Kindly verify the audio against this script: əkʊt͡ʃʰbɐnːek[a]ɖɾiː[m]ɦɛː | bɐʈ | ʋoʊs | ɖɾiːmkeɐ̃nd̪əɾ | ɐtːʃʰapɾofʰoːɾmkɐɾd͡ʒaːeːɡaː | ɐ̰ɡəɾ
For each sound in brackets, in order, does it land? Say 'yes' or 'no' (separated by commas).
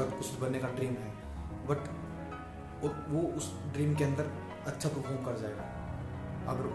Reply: yes, yes